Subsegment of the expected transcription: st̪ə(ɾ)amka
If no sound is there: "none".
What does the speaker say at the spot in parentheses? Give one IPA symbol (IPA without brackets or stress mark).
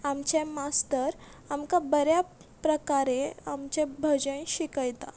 ɾ